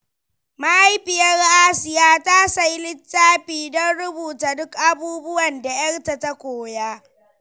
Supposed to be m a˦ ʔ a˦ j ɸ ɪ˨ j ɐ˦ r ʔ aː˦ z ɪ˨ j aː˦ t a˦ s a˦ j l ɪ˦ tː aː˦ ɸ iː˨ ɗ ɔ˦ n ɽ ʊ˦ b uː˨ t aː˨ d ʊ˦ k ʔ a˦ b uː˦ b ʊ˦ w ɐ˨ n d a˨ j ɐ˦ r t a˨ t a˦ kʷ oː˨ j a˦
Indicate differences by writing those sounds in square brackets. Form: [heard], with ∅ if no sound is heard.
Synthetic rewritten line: m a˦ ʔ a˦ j ɸ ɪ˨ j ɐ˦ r ʔ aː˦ [s] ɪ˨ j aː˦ t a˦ s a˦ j l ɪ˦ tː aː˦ ɸ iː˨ [d] ɔ˦ n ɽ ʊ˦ b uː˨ t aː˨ d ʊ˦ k ʔ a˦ b uː˦ b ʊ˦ w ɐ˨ n d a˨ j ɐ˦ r t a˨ t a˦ kʷ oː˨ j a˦